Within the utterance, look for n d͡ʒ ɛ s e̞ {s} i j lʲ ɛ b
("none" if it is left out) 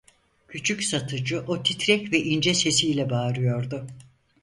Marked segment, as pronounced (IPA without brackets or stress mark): s